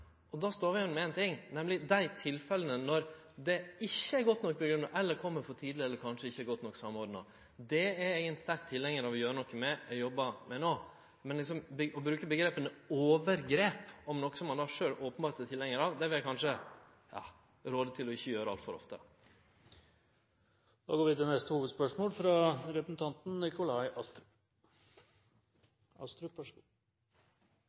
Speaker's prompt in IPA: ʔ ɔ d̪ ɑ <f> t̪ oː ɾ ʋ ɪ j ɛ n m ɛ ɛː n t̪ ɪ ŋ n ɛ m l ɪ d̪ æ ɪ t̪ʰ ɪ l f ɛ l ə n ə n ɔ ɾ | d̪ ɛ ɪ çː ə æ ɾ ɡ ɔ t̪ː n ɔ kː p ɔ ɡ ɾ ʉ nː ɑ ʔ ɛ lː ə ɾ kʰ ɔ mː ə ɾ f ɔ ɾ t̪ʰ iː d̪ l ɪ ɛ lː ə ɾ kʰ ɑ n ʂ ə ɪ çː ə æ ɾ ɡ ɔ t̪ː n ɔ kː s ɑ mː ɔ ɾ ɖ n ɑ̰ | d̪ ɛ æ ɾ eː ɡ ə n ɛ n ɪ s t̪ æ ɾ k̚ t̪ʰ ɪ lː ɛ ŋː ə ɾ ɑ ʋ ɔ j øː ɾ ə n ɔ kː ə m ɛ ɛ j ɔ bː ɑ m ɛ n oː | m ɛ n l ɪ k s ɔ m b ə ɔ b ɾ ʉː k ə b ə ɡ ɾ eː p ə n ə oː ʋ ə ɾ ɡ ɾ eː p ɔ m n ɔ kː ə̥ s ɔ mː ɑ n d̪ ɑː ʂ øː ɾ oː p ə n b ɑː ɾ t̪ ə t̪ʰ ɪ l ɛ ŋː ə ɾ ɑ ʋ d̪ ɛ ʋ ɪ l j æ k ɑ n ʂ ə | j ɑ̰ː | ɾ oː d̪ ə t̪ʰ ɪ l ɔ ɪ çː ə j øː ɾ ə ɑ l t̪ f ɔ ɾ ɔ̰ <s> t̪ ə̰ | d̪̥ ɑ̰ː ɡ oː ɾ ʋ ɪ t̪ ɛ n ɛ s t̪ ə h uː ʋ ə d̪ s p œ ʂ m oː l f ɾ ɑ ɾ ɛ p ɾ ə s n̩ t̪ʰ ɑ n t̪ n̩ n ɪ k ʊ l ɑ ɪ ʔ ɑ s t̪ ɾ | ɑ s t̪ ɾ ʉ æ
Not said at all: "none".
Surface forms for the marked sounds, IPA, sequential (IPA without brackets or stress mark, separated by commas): s, f